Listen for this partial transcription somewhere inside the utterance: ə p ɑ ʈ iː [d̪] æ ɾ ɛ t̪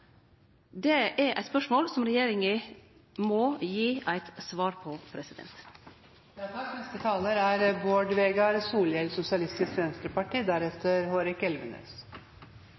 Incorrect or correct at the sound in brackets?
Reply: correct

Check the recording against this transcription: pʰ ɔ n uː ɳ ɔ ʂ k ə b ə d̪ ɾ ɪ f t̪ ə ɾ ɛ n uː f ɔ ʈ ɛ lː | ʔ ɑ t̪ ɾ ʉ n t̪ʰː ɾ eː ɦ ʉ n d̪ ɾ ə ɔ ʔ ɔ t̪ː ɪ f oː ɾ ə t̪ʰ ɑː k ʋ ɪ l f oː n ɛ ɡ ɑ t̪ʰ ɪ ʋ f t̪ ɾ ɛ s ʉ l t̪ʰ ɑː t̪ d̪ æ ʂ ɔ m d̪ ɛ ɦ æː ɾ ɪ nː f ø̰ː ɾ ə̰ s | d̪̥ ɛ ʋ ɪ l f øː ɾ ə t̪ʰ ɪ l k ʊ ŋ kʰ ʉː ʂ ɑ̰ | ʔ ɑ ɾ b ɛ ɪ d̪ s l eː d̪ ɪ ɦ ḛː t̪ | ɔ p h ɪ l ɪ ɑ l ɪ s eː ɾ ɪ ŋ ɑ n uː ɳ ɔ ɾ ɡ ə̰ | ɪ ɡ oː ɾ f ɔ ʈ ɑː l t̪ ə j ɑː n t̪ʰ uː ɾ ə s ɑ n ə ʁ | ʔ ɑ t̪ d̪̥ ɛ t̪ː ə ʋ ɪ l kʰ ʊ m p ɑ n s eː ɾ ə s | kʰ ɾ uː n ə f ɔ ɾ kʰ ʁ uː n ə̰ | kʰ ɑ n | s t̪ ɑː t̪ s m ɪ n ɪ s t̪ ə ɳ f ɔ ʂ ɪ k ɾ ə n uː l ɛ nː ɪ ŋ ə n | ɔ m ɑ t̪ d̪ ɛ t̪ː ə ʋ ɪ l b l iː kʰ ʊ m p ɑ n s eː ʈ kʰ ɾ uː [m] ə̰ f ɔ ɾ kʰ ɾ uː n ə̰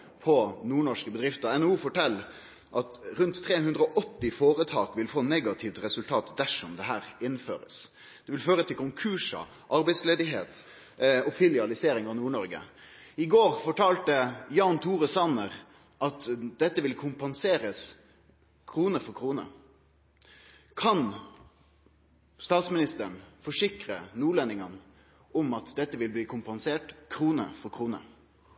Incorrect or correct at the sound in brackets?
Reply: incorrect: n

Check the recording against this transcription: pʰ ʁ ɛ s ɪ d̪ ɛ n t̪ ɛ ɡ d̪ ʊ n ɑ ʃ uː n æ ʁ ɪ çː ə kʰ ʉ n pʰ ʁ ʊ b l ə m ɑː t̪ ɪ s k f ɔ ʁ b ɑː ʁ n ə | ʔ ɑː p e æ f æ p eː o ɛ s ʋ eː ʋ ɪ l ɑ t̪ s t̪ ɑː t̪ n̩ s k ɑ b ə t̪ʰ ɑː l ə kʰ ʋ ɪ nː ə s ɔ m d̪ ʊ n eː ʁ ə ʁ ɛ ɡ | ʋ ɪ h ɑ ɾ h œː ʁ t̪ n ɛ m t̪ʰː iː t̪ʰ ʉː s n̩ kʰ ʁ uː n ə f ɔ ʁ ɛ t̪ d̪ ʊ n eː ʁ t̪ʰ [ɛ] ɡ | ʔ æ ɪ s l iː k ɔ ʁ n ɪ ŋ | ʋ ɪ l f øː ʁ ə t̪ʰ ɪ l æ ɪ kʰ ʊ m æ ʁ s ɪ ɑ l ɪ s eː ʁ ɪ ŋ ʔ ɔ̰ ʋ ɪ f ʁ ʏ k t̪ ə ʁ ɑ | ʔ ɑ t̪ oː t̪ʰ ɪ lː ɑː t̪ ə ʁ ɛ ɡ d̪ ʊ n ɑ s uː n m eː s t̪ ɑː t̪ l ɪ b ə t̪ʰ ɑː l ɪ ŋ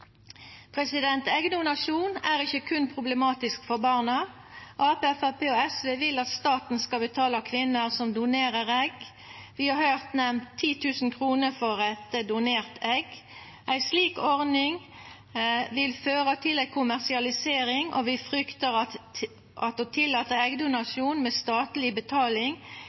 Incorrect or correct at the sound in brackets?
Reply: correct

